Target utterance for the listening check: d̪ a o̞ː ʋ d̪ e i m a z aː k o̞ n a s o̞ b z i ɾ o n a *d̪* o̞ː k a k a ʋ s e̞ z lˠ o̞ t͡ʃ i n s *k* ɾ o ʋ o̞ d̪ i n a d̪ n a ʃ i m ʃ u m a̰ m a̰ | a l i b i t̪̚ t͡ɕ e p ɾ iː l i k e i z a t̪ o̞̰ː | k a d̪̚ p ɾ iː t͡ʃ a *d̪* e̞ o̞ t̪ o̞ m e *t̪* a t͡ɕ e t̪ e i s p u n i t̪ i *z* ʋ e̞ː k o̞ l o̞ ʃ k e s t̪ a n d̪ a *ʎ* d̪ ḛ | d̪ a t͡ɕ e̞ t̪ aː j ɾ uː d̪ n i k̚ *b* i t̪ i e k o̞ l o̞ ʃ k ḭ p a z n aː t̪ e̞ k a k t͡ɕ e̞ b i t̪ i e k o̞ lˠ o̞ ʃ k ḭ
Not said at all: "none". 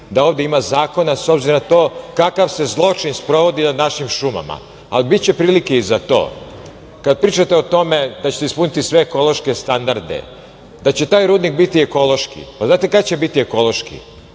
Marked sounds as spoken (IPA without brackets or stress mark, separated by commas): t̪, p, t̪, d̪, s, ɾ, b